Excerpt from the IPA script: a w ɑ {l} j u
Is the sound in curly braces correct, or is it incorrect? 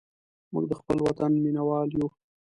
correct